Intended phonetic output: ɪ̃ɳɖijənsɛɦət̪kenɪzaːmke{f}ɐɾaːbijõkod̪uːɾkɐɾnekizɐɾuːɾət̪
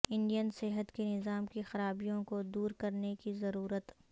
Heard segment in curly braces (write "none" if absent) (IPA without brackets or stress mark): x